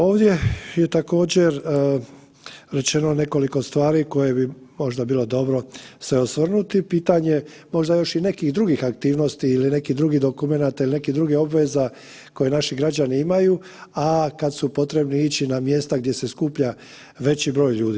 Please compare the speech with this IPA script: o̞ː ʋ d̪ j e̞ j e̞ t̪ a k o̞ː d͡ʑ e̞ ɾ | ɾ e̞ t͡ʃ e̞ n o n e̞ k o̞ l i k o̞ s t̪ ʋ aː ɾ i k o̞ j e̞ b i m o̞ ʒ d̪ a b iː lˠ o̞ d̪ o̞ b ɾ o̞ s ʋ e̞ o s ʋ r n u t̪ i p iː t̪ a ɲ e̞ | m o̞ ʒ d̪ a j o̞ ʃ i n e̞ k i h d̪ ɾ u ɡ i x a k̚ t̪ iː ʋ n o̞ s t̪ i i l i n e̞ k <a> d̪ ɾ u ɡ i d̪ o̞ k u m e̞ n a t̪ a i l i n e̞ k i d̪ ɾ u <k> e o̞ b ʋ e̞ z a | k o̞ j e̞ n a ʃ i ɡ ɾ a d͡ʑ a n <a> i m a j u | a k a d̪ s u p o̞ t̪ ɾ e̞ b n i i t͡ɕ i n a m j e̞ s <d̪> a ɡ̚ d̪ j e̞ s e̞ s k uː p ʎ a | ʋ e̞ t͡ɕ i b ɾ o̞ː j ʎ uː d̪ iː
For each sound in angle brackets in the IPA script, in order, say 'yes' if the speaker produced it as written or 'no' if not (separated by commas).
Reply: no, no, no, no